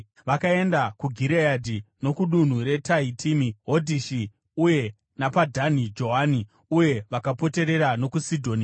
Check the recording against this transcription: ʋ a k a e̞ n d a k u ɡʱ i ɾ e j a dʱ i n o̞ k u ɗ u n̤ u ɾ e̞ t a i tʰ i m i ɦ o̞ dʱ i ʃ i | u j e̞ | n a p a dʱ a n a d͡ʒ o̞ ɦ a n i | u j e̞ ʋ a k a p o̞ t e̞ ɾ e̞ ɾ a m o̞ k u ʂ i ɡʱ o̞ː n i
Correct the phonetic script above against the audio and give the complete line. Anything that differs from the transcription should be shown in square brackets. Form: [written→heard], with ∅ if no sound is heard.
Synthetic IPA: ʋ a k a e̞ n d a k u ɡʱ i ɾ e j a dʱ i n o̞ k u ɗ u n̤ u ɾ e̞ t a i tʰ i m i ɦ o̞ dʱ i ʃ i | u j e̞ | n a p a dʱ a n [a→i] d͡ʒ o̞ ɦ a n i | u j e̞ ʋ a k a p o̞ t e̞ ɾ e̞ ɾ a [m→n] o̞ k u [ʂ→s] i [ɡʱ→dʱ] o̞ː n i